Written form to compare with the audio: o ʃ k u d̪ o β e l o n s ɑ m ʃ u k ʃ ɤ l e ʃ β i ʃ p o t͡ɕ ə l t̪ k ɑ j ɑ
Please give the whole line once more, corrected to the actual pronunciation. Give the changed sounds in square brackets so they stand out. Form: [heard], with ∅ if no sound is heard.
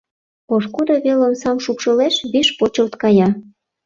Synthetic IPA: o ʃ k u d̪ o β e l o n s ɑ m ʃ u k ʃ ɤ l e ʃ β i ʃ p o t͡ɕ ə l t̪ k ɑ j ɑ